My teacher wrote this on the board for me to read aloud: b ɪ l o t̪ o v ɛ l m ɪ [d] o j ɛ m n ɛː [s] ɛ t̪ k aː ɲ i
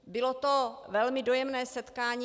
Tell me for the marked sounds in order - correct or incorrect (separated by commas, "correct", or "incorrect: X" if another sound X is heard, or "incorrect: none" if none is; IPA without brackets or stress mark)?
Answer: correct, correct